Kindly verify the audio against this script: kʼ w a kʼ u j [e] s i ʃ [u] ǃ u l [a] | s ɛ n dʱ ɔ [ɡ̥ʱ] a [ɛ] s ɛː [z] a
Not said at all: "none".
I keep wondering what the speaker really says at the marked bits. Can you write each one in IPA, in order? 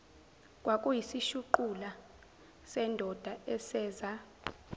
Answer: i, u, a, d̥ʱ, ɛ, z

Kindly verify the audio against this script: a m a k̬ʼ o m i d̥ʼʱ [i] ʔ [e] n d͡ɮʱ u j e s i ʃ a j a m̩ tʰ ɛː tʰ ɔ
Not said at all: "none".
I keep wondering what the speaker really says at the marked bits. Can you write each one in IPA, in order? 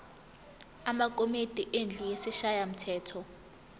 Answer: i, e

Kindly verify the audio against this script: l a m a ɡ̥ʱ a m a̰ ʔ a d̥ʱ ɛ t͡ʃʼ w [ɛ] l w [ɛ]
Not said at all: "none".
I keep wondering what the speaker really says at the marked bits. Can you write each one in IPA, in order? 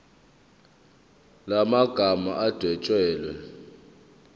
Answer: ɛː, ɛ

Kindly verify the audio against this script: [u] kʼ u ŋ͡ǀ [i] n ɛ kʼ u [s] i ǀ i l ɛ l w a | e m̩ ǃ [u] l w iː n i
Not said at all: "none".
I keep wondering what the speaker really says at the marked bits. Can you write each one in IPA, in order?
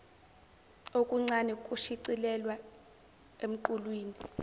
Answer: o, a, ʃ, u

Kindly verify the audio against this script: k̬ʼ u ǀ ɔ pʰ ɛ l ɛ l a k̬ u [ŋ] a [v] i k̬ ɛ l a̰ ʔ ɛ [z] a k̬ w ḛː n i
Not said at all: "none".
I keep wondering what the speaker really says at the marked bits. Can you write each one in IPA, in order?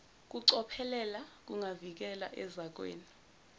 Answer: ŋ, v, z

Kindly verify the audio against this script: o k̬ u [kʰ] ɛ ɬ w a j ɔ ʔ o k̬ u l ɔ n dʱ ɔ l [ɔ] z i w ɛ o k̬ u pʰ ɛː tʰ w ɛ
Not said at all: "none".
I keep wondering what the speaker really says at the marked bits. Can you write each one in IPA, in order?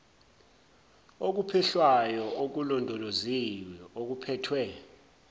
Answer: pʰ, o

